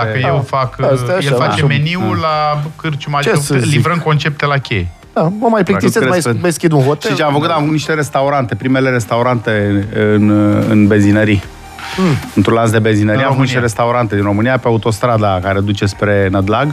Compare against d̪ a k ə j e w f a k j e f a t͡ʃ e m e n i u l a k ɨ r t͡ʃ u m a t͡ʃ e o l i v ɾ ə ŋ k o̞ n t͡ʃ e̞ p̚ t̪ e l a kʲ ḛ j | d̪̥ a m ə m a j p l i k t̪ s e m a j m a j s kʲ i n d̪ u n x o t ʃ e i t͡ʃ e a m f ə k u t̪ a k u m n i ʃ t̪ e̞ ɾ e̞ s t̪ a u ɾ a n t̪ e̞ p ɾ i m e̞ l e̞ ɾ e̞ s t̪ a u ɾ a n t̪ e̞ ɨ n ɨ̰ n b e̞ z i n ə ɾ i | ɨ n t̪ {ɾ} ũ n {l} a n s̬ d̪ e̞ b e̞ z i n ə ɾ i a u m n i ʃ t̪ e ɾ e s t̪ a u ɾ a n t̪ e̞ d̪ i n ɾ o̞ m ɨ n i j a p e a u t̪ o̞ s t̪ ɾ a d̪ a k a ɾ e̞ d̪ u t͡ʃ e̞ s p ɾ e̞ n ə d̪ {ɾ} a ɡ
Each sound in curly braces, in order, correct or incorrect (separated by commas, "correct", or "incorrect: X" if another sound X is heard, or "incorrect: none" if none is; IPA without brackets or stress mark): correct, correct, incorrect: l